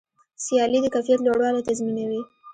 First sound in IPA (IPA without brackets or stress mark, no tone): s